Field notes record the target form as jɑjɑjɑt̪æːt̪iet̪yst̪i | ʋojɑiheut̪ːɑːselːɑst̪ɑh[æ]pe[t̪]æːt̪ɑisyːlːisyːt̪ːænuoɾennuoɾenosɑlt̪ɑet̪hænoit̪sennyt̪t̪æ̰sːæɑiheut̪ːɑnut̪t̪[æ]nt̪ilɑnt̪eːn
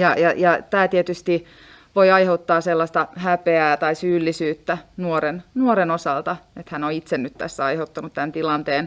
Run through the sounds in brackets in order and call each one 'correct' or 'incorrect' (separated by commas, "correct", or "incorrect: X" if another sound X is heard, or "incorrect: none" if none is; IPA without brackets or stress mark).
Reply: correct, incorrect: none, correct